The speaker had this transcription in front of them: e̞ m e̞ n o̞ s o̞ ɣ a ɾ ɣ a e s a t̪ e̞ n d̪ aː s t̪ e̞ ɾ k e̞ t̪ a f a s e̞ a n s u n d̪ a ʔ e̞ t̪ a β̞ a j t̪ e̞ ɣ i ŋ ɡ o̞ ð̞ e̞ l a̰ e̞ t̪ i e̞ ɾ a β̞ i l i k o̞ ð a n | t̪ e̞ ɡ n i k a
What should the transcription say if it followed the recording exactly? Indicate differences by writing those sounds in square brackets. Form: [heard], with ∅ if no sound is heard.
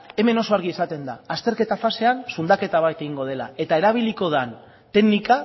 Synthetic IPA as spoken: e̞ m e̞ n o̞ s o̞ [∅] a ɾ ɣ [i] e s a t̪ e̞ n d̪ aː s t̪ e̞ ɾ k e̞ t̪ a f a s e̞ a n s u n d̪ a [k] e̞ t̪ a β̞ a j t̪ e̞ ɣ i ŋ ɡ o̞ ð̞ e̞ l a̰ e̞ t̪ [a] e̞ ɾ a β̞ i l i k o̞ ð a n | t̪ e̞ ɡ n i k a